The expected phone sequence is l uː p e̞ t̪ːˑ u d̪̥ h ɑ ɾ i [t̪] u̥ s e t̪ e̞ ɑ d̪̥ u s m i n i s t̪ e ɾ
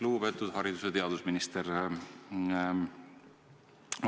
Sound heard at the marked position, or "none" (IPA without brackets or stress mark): d̪